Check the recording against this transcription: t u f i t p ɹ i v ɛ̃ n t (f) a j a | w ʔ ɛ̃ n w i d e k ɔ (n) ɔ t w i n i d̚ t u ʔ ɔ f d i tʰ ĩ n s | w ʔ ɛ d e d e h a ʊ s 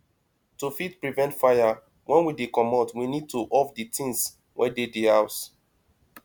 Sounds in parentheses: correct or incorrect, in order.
correct, incorrect

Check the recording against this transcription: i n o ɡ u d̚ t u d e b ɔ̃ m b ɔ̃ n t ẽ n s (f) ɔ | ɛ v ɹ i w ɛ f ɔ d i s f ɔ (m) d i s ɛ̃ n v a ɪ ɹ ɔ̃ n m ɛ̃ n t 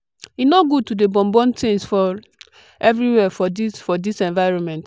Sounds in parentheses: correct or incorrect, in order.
correct, incorrect

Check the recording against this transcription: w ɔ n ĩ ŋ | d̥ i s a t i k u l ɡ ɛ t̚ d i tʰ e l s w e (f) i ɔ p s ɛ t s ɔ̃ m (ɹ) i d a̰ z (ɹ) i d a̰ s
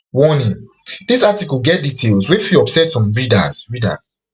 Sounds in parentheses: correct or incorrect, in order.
correct, correct, correct

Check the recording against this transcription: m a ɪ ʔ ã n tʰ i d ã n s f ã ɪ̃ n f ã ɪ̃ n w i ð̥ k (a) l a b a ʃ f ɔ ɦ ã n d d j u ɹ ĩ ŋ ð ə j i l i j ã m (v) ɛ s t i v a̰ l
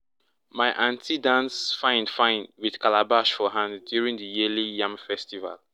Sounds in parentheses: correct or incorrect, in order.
correct, incorrect

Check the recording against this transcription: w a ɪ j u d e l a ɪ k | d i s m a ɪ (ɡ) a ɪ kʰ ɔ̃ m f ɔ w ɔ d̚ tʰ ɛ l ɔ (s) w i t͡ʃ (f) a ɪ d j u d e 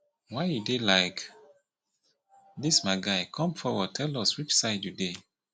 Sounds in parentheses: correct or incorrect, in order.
correct, correct, incorrect

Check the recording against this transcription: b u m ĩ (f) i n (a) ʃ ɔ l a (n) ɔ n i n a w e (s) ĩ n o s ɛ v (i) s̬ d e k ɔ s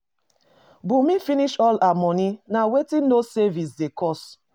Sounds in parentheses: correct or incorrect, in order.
correct, incorrect, incorrect, incorrect, correct

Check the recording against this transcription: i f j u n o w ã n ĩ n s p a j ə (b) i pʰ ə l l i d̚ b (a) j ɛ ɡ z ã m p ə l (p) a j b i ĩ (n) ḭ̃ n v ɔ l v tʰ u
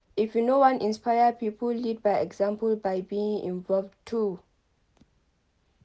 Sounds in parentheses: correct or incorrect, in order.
incorrect, correct, incorrect, incorrect

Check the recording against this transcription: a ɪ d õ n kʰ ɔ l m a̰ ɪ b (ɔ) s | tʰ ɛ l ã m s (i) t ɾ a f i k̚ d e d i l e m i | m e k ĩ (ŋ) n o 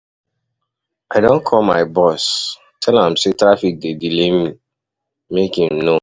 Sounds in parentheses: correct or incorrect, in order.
correct, incorrect, incorrect

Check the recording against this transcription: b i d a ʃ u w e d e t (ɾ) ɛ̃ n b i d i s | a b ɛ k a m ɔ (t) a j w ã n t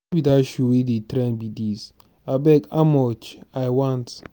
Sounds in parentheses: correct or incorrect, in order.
correct, incorrect

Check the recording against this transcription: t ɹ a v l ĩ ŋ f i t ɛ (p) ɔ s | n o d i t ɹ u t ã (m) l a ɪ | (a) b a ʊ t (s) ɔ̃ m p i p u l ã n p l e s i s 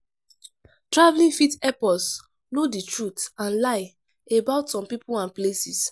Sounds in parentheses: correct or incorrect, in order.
correct, incorrect, incorrect, correct

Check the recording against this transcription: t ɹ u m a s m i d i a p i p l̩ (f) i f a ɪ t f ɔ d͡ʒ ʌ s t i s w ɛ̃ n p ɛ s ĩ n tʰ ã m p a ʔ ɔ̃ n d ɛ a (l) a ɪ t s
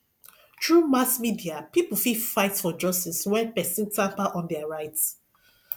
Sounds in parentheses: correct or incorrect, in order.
correct, incorrect

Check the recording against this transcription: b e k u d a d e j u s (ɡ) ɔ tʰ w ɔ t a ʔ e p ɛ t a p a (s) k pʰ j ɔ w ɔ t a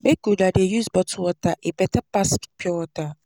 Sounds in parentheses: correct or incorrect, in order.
incorrect, correct

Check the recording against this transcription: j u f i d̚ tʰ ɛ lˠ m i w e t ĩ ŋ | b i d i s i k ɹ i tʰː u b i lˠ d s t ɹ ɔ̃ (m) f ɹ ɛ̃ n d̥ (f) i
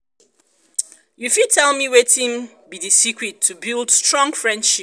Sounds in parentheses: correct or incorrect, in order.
incorrect, incorrect

